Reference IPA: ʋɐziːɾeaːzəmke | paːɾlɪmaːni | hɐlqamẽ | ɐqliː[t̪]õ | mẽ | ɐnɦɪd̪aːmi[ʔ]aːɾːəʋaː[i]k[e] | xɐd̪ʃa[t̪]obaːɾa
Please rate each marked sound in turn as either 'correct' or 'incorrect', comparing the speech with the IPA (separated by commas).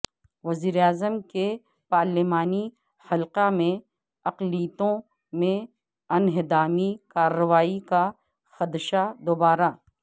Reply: correct, incorrect, correct, incorrect, incorrect